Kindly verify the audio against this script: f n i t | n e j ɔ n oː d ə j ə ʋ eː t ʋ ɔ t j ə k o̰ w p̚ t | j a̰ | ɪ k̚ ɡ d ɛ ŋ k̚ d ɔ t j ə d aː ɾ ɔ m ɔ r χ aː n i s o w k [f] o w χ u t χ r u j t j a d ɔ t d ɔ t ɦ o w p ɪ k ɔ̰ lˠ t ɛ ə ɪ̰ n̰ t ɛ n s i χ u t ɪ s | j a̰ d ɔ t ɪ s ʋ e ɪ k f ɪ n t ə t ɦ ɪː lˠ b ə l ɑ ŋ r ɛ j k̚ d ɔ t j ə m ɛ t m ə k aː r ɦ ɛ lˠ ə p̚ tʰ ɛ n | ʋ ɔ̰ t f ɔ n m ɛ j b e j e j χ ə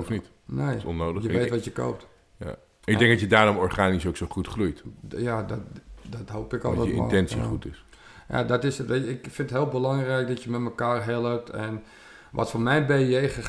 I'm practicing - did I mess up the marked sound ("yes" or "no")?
yes